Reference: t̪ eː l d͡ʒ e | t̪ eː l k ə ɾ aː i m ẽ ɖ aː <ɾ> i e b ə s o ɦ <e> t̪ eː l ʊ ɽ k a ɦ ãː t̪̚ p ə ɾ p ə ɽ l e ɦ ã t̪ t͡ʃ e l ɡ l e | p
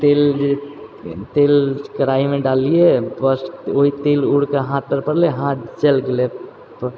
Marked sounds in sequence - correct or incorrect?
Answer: incorrect, incorrect

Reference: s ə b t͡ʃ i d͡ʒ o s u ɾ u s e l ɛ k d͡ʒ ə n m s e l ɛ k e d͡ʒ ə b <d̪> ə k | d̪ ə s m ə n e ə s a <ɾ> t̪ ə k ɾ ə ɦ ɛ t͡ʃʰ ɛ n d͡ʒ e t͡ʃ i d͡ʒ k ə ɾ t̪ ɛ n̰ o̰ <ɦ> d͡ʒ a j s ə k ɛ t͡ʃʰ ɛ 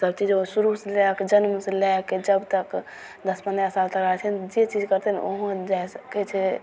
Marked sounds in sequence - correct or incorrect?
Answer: incorrect, incorrect, correct

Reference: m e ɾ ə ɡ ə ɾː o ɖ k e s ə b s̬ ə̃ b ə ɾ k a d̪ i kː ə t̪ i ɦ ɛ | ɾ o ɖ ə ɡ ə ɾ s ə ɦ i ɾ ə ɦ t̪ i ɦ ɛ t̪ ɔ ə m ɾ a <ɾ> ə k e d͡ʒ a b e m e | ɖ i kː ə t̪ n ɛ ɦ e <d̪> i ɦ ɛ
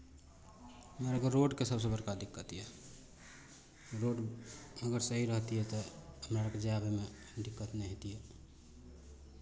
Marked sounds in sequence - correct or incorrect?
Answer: correct, incorrect

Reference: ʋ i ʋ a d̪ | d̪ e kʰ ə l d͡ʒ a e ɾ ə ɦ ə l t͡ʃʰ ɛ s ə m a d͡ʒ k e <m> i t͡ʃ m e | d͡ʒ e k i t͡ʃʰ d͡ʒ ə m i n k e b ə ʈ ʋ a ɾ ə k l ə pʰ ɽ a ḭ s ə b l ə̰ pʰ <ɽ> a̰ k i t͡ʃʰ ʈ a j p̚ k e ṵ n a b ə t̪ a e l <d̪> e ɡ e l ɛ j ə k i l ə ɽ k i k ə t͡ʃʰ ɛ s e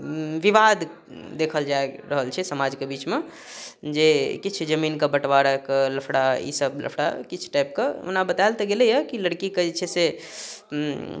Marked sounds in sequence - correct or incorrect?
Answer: incorrect, correct, incorrect

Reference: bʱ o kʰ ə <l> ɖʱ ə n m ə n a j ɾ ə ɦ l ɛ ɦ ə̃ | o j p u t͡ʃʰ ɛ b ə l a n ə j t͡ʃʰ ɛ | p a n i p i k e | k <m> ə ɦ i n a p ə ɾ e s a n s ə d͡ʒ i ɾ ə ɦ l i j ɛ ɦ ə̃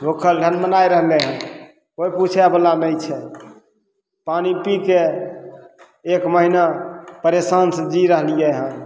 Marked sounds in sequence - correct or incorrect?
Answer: correct, correct

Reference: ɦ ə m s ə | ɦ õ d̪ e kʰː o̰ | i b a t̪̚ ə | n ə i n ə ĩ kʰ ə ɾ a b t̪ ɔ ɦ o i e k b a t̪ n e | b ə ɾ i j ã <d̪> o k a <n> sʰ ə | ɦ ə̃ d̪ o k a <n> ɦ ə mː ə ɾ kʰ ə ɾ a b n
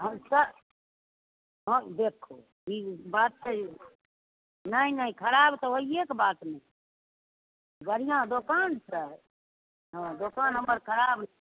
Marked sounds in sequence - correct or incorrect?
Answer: correct, correct, correct

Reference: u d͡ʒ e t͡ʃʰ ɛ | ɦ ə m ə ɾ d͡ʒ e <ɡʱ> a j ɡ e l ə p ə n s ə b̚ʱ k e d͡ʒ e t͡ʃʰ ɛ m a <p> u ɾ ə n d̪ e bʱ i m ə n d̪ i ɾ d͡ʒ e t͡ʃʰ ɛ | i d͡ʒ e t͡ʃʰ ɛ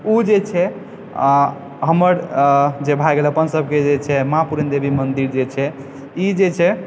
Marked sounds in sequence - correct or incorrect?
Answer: incorrect, correct

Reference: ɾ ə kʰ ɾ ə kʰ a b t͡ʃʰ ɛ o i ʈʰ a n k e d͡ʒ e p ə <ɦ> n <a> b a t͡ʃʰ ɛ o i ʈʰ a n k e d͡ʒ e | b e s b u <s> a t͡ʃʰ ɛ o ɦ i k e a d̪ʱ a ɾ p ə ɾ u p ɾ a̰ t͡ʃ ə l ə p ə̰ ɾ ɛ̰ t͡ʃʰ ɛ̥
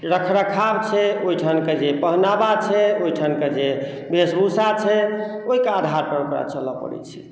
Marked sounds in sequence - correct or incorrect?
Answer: correct, correct, correct

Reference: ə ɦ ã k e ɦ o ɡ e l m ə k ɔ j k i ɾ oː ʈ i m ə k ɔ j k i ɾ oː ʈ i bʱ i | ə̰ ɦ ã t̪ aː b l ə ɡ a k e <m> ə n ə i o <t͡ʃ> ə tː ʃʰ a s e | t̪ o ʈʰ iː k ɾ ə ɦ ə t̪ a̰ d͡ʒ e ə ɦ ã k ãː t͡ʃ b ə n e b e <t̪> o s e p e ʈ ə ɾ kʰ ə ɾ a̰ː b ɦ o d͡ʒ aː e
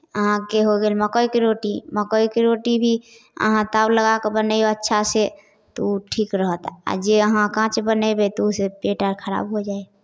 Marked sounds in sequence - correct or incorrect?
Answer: incorrect, incorrect, correct

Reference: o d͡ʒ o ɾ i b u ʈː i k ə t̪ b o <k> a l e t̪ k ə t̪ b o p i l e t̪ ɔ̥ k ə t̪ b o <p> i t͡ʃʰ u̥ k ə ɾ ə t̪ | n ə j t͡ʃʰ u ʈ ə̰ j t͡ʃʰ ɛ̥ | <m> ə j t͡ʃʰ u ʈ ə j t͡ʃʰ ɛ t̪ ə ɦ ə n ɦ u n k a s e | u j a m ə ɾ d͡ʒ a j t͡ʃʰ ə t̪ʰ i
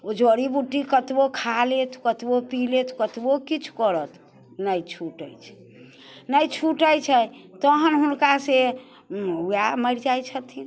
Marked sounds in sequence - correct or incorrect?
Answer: incorrect, incorrect, incorrect

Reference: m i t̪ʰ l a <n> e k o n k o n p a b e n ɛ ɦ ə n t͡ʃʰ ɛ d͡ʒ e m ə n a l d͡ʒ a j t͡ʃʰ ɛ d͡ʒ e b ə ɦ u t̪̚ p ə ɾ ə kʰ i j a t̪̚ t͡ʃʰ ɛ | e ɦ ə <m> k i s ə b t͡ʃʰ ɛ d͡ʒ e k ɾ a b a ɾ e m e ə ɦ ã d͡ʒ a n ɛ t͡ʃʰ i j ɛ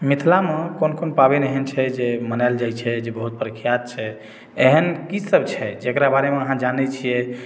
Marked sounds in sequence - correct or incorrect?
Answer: incorrect, incorrect

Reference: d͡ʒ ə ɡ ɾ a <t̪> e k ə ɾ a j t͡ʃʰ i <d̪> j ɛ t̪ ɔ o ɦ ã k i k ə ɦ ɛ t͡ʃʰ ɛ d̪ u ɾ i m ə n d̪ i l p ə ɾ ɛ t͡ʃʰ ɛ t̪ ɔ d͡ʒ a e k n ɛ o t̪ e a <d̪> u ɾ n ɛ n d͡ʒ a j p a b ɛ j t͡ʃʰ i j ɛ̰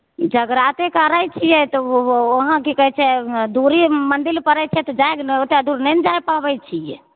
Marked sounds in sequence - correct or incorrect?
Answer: correct, incorrect, correct

